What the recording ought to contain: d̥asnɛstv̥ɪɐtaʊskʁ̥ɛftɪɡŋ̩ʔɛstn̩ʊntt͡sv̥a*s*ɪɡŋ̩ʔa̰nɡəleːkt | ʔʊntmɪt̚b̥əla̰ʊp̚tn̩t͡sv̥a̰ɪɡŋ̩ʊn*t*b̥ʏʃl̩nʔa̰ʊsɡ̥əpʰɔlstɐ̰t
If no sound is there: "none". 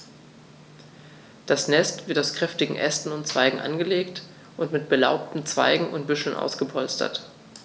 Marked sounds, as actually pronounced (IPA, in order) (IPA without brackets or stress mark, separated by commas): none, t